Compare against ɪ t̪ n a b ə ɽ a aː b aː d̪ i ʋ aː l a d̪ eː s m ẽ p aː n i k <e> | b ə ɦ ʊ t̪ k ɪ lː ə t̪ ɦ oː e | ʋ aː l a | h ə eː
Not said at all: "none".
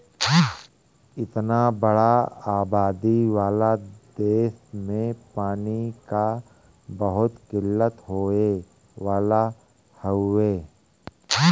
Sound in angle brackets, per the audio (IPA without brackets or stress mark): a